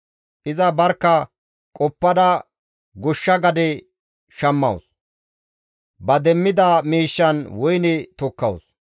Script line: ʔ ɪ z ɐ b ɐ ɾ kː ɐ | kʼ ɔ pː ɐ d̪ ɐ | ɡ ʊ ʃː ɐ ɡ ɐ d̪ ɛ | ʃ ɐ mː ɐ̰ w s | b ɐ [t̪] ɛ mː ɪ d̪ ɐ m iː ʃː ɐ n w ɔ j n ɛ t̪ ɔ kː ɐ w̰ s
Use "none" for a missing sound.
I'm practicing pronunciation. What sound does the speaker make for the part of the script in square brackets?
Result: d̪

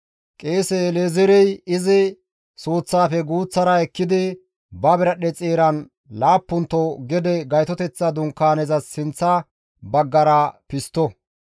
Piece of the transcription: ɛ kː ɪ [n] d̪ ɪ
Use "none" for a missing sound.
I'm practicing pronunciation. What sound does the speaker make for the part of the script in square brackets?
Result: none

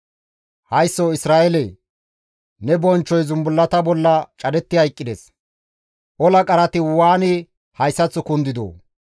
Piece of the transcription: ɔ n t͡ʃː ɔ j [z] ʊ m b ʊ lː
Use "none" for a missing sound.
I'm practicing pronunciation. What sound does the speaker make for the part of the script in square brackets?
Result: z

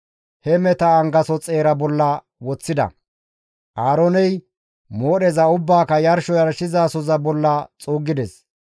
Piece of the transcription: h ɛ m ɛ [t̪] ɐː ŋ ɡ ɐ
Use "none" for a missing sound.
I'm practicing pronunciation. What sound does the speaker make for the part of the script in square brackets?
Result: t̪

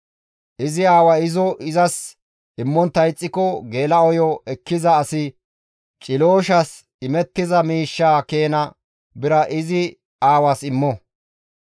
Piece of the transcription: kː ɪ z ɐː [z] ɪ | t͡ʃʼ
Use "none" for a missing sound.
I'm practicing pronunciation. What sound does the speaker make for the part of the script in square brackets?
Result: s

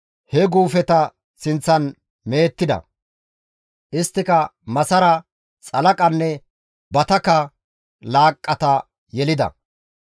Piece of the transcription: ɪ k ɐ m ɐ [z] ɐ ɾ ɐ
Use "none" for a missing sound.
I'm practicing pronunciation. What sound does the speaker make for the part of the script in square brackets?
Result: s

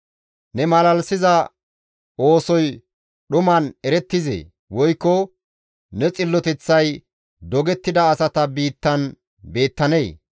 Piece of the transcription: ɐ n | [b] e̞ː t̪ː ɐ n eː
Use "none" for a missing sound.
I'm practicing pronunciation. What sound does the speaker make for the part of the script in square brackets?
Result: b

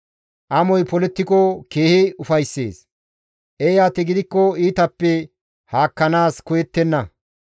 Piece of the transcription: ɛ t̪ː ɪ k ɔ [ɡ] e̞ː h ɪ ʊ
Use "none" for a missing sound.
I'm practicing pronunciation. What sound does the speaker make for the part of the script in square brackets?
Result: k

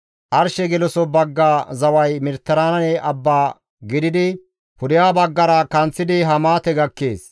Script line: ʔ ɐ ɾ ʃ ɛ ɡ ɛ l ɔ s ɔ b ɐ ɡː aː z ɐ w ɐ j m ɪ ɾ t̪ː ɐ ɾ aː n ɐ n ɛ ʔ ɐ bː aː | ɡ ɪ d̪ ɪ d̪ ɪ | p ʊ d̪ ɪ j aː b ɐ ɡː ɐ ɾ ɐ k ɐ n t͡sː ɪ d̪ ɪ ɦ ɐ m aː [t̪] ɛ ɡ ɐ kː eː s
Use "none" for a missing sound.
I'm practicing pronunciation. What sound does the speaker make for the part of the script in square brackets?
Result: t̪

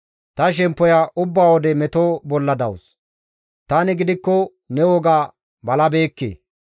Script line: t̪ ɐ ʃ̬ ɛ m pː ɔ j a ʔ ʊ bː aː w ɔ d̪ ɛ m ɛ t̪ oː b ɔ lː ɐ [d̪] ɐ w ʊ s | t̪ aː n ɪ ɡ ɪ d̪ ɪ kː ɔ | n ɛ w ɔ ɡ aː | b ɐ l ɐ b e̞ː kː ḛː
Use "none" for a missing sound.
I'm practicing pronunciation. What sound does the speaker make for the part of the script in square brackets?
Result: d̪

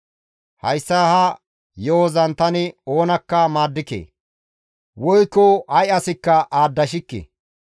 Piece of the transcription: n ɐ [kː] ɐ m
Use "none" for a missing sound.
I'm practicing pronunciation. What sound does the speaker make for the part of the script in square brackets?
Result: kː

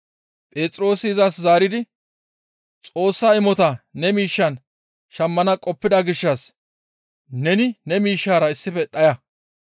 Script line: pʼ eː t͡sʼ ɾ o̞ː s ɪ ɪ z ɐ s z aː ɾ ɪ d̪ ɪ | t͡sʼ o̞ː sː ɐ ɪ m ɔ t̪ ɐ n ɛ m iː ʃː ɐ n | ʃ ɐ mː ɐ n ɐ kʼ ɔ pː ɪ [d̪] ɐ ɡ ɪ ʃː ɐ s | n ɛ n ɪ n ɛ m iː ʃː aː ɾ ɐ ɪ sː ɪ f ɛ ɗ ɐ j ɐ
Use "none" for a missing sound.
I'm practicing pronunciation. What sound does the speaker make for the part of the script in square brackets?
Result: d̪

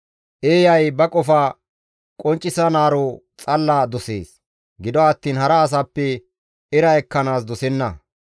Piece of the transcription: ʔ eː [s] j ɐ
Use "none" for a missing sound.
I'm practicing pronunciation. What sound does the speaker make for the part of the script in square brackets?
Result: none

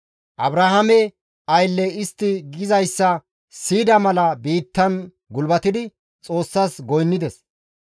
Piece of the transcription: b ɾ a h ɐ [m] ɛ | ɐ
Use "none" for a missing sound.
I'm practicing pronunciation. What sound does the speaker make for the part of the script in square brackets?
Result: m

